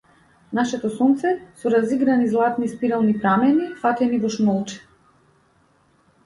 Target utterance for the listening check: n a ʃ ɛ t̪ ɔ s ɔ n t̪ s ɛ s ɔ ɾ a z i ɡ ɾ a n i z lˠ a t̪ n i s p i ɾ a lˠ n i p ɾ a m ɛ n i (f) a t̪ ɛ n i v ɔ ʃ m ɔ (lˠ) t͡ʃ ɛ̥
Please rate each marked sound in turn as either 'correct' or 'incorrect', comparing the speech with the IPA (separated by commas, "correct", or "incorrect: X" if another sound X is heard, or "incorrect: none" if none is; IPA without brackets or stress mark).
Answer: correct, correct